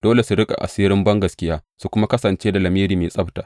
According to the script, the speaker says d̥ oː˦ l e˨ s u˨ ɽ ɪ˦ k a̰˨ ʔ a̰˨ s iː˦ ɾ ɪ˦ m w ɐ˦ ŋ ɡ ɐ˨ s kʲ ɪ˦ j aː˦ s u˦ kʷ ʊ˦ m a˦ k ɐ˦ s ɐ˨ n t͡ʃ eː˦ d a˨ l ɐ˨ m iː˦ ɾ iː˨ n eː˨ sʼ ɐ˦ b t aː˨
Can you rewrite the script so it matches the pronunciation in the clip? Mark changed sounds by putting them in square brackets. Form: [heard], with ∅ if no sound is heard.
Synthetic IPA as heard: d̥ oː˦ l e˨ s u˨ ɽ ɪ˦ [kʼ] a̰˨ ʔ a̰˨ s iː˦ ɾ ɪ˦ m [b] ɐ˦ ŋ ɡ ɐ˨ s kʲ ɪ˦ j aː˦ s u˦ kʷ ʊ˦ m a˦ k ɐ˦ s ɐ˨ n t͡ʃ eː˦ d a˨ l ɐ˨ m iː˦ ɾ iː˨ [m] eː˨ sʼ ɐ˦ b t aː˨